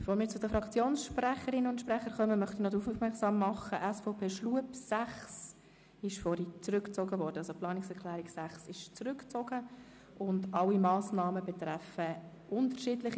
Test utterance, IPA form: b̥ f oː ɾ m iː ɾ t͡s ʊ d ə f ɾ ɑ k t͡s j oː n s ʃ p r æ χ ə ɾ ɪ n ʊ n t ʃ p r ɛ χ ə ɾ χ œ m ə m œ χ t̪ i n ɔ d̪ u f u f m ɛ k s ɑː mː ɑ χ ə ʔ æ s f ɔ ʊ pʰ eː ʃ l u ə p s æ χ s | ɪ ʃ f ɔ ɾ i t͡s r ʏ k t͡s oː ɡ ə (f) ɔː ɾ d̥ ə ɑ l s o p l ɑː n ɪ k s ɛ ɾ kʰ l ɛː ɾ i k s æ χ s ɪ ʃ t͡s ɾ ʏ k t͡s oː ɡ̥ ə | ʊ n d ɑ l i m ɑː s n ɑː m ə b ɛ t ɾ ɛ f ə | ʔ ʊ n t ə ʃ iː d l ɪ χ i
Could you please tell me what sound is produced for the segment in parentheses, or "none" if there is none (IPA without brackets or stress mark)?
v